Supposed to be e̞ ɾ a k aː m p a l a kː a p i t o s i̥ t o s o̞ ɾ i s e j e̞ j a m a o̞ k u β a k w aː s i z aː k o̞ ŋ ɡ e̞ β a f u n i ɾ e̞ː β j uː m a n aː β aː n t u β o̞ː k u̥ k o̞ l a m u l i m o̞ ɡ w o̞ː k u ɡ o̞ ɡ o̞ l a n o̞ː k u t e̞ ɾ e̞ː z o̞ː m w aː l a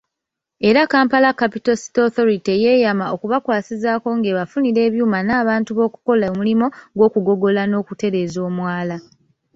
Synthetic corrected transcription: e̞ ɾ a k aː m p a l a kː a p i t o s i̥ t o θ o̞ ɾ i t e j e̞ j a m a o̞ k u β a k w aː s i z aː k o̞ ŋ ɡ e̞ β a f u n i ɾ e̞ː β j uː m a n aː β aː n t u β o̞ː k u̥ k o̞ l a m u l i m o̞ ɡ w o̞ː k u ɡ o̞ ɡ o̞ l a n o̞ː k u t e̞ ɾ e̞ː z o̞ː m w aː l a